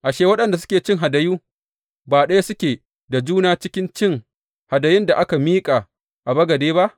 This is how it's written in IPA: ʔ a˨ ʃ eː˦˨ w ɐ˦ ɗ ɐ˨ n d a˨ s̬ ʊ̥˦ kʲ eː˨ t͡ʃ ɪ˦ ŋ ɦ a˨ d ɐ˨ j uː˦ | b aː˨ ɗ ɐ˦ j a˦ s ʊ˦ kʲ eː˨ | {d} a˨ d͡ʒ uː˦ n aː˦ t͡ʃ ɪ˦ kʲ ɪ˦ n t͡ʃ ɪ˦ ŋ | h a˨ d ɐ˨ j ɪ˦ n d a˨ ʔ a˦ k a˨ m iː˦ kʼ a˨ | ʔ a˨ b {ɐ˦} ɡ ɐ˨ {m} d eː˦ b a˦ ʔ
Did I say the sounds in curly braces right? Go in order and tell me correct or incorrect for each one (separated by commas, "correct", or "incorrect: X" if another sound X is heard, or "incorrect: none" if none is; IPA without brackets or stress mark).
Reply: correct, correct, incorrect: none